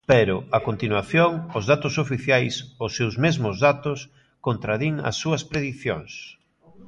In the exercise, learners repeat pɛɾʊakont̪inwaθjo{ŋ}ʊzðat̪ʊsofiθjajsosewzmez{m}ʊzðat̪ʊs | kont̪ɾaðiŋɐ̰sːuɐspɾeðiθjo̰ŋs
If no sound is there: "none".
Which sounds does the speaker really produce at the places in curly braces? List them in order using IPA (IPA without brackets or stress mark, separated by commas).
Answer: ŋ, m